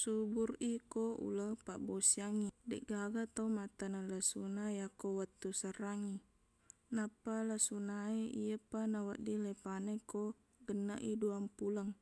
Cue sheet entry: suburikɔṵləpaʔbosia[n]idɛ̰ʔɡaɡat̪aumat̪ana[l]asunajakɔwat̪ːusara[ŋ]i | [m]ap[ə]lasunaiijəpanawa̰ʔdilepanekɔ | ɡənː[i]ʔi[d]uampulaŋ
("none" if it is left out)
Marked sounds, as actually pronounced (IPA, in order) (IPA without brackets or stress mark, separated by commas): ŋ, l, ŋ, n, a, a, d